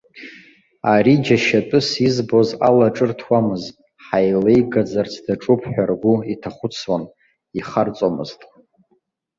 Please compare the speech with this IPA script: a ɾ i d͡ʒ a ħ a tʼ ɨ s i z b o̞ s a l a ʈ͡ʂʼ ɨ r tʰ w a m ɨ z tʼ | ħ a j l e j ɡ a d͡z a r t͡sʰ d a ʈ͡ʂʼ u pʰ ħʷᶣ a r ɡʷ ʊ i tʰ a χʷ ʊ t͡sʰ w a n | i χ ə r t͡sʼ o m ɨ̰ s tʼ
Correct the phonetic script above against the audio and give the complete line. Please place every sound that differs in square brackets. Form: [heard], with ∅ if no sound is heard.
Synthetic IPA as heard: a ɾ i d͡ʒ a [ʃ] a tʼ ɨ s i z b o̞ [z] a l a ʈ͡ʂʼ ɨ r tʰ w a m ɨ z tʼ | ħ a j l e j ɡ a d͡z a r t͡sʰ d a ʈ͡ʂʼ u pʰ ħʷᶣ a r ɡʷ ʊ i tʰ a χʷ ʊ t͡sʰ w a n | i χ [a] r t͡sʼ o m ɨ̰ [z] tʼ